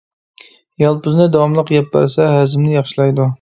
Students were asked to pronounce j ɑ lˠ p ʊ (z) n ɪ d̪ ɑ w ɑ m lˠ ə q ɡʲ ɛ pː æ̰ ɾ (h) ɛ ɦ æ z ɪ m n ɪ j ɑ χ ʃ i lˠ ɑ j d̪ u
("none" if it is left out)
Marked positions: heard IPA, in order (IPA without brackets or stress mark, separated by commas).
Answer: z, s